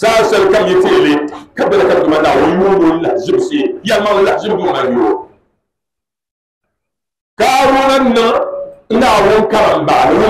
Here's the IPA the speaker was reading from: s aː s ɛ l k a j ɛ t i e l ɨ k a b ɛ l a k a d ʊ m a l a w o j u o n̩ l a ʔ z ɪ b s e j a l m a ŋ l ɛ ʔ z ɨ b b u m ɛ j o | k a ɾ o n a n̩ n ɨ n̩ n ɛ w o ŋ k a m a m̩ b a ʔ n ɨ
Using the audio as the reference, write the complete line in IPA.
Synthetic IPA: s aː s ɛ l k a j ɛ t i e l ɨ k a b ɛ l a k a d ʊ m a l a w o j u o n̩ l a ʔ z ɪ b s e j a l m a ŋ l a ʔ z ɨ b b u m a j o | k a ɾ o n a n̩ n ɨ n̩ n a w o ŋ k a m a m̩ b a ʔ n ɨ